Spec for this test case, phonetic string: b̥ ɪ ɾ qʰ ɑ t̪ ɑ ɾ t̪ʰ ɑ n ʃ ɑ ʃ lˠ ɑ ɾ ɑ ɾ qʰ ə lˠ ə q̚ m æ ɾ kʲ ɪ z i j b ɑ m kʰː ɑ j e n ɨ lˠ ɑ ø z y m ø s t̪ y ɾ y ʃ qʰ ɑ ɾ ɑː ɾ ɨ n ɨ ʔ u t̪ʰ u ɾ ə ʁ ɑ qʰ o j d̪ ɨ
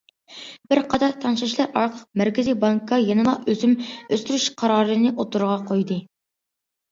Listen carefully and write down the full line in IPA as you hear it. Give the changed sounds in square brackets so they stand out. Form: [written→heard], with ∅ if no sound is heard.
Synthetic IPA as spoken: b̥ ɪ ɾ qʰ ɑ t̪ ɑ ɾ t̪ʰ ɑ n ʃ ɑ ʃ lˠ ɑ ɾ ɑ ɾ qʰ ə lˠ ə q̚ m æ ɾ kʲ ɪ z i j b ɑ [m→ŋ] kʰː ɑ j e n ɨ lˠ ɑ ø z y m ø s t̪ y ɾ y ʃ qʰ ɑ ɾ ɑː ɾ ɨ n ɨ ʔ [u→o] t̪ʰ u ɾ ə ʁ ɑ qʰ o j d̪ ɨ